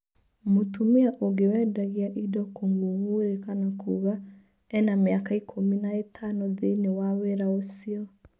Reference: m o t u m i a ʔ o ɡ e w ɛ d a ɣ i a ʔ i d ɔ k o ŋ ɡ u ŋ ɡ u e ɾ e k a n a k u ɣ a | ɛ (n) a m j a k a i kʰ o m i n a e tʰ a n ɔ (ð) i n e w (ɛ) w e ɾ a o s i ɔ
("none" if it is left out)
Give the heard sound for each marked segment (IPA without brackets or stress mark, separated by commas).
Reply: n, ð, a